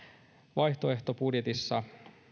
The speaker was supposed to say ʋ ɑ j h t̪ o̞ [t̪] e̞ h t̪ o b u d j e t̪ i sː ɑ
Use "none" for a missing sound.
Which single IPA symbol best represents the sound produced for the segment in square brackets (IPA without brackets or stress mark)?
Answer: none